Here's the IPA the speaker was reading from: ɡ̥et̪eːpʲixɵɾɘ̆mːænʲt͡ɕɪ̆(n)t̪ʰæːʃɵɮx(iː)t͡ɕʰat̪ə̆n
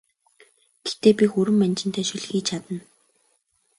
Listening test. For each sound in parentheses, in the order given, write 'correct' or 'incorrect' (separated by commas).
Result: correct, correct